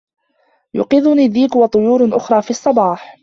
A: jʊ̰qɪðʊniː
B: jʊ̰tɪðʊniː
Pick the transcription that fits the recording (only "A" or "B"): A